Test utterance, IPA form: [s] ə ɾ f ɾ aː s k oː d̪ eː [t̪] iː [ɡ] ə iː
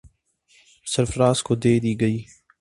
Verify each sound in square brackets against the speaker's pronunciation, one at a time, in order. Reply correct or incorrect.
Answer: correct, incorrect: d̪, correct

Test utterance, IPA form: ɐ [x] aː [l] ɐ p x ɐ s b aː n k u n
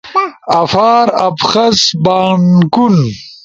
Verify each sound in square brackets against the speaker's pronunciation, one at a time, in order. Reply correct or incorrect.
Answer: incorrect: f, incorrect: ɾ

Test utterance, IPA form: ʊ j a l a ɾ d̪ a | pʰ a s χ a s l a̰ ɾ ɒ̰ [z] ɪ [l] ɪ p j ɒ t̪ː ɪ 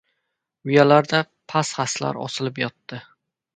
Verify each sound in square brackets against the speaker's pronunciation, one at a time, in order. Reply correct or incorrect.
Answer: incorrect: s, correct

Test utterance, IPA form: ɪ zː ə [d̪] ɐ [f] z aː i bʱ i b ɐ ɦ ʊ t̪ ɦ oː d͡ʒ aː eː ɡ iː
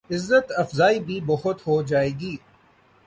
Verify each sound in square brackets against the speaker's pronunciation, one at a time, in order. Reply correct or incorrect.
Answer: incorrect: t̪, correct

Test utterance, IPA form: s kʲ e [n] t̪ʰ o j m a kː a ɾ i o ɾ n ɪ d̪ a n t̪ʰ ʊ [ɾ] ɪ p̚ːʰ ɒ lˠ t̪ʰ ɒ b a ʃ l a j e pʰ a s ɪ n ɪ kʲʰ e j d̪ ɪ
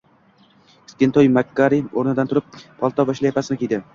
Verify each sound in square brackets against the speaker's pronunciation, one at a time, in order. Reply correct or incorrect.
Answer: correct, correct

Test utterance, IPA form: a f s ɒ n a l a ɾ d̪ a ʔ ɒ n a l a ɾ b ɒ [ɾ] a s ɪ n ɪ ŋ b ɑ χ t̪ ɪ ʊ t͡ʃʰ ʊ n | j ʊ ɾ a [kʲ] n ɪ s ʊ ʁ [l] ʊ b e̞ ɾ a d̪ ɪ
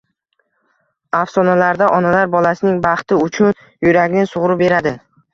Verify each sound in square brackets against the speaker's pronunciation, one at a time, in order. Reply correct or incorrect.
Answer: incorrect: l, incorrect: ɡʲ, incorrect: ɾ

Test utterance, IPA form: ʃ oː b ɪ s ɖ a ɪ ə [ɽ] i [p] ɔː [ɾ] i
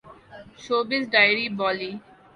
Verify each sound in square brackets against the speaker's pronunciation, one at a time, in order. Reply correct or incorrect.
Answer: incorrect: ɾ, incorrect: b, incorrect: l

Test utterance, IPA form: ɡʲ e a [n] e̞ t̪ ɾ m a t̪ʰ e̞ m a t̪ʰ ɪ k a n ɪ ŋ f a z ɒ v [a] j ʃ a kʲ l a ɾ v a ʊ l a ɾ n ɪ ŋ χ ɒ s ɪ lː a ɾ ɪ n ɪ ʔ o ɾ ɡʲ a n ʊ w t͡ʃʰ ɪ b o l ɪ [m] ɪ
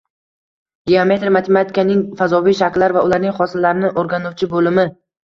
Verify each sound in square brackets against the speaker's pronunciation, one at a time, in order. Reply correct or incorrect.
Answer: incorrect: m, incorrect: i, correct

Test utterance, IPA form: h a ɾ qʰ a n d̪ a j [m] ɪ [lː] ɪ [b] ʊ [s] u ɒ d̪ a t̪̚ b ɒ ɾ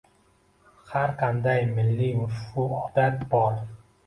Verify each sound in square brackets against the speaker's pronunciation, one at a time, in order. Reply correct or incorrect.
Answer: correct, correct, incorrect: m, incorrect: f

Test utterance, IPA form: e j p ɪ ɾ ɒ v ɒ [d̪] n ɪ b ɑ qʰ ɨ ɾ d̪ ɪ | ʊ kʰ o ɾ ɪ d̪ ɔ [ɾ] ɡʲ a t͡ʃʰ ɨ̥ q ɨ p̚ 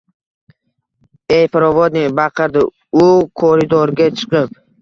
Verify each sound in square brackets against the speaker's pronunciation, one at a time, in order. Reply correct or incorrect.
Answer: correct, correct

